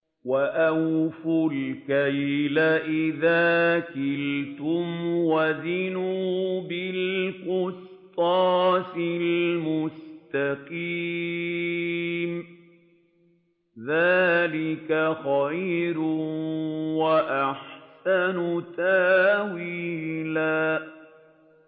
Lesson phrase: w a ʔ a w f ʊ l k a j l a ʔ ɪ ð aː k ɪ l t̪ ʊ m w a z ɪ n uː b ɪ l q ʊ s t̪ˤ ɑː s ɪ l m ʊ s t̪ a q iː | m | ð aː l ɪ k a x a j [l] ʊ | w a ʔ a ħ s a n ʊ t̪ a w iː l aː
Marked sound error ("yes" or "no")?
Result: yes